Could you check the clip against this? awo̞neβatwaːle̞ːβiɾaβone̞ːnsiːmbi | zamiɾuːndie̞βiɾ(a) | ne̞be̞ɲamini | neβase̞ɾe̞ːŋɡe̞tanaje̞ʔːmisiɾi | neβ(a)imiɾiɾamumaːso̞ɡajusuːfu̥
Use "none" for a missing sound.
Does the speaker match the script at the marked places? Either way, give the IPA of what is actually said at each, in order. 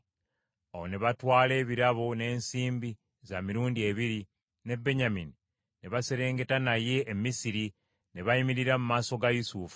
i, a

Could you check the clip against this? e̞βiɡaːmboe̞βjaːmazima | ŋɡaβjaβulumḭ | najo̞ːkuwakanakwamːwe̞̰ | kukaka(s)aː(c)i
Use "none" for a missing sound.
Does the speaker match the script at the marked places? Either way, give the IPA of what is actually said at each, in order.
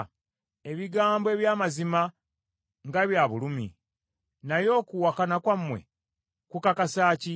s, c

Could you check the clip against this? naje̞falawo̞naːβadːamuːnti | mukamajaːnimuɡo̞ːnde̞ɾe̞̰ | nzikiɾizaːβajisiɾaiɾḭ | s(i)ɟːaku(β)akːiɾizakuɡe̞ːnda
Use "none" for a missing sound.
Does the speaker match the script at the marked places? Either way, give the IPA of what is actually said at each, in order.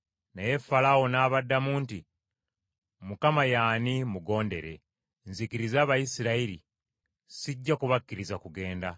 i, β

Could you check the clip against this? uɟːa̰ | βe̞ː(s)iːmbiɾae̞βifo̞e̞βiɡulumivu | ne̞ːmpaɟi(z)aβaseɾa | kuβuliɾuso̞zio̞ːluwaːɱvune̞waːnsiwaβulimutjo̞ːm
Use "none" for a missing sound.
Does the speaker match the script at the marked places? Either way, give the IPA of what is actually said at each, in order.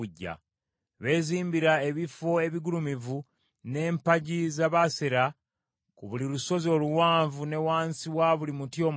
z, z

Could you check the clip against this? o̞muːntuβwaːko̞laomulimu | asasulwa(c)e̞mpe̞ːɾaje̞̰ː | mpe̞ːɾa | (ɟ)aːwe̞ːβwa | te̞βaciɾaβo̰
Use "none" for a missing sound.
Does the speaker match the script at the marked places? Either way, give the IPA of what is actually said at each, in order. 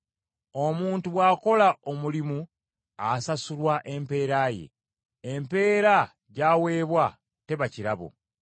ʔ, ɟ

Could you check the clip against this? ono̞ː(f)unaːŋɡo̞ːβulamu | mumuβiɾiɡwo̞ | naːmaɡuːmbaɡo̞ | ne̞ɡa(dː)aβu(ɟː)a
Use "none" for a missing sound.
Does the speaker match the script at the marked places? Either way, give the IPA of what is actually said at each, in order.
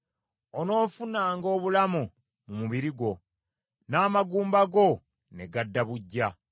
f, dː, ɟː

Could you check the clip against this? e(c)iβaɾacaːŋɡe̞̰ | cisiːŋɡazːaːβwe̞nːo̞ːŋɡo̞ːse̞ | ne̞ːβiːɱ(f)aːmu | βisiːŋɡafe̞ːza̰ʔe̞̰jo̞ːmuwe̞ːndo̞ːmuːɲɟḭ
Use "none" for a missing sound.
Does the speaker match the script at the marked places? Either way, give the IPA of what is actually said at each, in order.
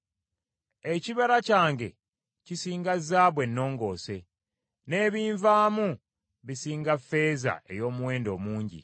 c, v

